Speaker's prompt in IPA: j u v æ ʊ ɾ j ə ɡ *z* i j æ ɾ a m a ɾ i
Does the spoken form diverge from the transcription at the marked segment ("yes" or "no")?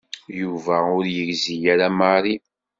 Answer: no